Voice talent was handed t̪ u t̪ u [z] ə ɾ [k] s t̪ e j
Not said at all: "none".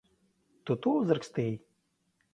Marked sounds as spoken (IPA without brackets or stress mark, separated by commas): z, k